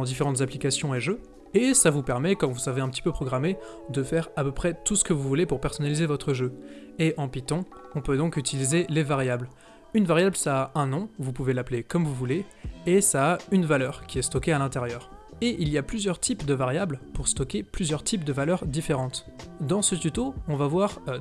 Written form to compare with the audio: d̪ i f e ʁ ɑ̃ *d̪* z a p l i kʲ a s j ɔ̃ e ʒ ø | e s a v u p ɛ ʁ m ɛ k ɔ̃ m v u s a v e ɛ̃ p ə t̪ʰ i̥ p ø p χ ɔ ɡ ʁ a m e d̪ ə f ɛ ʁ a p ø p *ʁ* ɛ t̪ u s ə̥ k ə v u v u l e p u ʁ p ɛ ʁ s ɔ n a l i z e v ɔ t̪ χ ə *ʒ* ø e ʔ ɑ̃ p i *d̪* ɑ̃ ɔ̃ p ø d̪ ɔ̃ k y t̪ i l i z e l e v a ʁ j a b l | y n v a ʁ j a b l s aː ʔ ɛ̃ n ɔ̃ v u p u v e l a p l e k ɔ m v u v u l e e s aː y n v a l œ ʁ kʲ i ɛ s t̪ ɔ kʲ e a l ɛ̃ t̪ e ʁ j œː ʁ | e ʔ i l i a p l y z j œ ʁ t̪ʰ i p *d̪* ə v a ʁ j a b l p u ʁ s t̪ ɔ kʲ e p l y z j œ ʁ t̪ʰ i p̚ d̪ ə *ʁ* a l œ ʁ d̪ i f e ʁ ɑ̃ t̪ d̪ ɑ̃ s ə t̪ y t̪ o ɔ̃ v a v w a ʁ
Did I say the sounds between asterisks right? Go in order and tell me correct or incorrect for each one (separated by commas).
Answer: incorrect, incorrect, correct, incorrect, correct, incorrect